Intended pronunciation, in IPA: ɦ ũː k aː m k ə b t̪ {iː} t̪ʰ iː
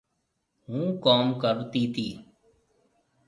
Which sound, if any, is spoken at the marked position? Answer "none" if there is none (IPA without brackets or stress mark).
iː